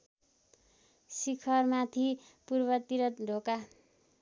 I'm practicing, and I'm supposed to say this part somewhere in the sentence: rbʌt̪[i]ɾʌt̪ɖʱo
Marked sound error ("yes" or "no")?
no